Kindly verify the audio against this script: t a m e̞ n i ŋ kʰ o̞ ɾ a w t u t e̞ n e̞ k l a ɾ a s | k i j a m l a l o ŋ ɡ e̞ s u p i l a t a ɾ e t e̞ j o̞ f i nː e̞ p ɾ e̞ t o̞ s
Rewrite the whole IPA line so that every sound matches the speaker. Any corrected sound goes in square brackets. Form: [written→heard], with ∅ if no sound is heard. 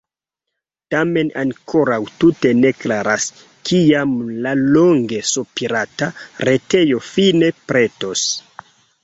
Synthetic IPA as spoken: t a m e̞ n [i→a] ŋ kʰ o̞ ɾ a w t u t e̞ n e̞ k l a ɾ a s | k i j a m l a l o ŋ ɡ e̞ s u p i [l→ɾ] a t a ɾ e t e̞ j o̞ f i [nː→n] e̞ p ɾ e̞ t o̞ s